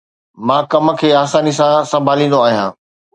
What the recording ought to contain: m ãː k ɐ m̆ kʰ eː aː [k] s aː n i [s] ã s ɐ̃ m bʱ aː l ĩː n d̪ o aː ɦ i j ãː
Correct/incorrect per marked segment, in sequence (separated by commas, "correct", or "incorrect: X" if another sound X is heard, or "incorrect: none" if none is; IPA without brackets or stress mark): incorrect: none, correct